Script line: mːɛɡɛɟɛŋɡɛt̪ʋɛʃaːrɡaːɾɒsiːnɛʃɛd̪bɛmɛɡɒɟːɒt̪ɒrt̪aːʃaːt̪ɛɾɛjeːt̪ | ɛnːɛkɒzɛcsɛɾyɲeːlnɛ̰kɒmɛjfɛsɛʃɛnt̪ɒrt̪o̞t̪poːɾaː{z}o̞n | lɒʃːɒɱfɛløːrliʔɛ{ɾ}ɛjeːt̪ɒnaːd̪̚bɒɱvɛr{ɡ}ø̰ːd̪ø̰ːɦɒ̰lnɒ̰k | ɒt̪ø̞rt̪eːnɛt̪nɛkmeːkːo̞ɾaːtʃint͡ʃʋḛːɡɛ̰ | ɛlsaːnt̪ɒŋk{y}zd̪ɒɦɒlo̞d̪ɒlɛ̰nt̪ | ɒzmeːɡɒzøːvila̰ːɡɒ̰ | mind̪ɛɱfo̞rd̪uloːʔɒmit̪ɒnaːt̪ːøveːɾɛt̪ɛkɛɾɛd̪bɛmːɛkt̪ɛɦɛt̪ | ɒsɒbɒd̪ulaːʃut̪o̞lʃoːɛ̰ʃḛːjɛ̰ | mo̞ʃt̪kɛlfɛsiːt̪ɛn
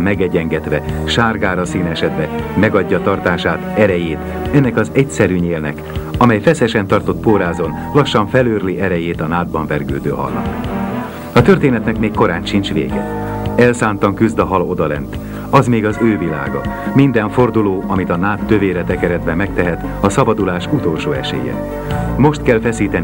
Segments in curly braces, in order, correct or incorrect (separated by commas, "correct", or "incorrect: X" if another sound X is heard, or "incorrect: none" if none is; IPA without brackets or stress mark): correct, correct, correct, correct